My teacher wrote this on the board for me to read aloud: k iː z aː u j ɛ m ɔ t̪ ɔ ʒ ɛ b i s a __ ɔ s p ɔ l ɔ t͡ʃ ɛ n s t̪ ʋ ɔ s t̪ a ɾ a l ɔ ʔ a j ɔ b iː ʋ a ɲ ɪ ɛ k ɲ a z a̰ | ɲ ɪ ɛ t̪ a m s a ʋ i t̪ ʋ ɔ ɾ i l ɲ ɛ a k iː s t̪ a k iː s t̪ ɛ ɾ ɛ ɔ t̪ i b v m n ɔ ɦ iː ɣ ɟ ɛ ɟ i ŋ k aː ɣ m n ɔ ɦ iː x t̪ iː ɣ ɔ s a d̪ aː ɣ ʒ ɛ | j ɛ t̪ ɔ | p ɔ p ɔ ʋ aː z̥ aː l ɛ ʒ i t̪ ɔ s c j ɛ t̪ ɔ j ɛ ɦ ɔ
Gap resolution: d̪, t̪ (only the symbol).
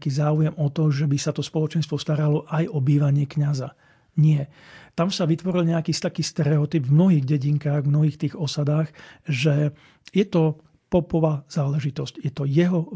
t̪